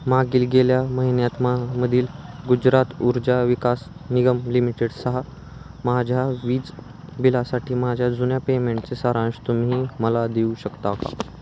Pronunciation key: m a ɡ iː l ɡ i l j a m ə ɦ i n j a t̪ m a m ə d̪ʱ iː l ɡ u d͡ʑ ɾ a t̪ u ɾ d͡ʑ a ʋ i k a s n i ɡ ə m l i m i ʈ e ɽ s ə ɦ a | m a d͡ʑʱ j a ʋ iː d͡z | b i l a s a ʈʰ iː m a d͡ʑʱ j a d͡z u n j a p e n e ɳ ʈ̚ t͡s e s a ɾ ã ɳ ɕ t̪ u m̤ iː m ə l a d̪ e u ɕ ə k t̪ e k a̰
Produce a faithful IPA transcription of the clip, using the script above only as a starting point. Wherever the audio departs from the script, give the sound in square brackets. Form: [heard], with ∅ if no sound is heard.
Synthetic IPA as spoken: m a ɡ iː l ɡ [e] l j a m ə ɦ i n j a t̪ m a m ə d̪ʱ iː l ɡ u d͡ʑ ɾ a t̪ u ɾ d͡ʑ a ʋ i k a s n i ɡ ə m l i m i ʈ e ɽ s ə ɦ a | m a d͡ʑʱ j a ʋ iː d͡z | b i l a s a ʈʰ iː m a d͡ʑʱ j a d͡z u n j a p e [m] e ɳ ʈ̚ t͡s e s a ɾ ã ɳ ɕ t̪ u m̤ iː m ə l a d̪ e u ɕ ə k t̪ [a] k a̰